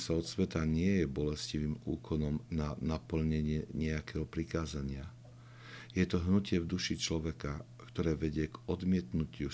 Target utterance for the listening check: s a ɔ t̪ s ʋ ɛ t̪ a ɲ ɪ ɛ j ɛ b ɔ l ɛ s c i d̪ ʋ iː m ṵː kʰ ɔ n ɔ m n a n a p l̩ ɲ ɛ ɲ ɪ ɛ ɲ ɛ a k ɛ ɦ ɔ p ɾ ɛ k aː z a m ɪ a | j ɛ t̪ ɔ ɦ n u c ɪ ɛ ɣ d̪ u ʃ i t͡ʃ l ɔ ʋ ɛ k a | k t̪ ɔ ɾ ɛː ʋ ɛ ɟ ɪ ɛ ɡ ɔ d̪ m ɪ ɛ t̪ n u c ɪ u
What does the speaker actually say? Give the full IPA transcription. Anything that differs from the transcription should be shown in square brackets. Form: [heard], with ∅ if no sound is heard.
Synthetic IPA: s a ɔ t̪ s ʋ ɛ t̪ a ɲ ɪ ɛ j ɛ b ɔ l ɛ s c i [∅] ʋ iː m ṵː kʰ ɔ n ɔ m n a n a p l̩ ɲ ɛ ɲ ɪ ɛ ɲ ɛ a k ɛ ɦ ɔ p ɾ [i] k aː z a [ɲ] ɪ a | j ɛ t̪ ɔ ɦ n u c ɪ ɛ [v] d̪ u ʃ i t͡ʃ l ɔ ʋ ɛ k a | k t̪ ɔ ɾ ɛː ʋ ɛ ɟ ɪ ɛ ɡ ɔ d̪ m ɪ ɛ t̪ n u c ɪ u